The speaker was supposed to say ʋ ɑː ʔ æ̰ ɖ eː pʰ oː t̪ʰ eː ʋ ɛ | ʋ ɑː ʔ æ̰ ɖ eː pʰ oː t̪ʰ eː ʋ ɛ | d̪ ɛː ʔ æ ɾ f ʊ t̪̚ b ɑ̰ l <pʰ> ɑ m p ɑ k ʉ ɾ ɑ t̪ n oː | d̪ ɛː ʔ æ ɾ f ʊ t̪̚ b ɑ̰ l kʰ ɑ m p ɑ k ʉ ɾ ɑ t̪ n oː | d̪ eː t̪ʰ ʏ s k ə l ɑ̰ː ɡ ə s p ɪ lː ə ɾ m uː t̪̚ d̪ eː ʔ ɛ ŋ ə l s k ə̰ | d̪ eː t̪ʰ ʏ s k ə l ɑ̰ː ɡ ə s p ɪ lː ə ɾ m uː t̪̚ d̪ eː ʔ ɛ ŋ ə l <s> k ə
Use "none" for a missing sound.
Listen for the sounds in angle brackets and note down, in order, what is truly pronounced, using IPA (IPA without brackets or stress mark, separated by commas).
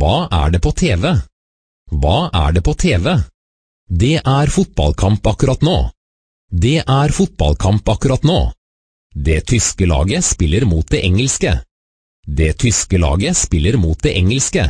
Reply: kʰ, s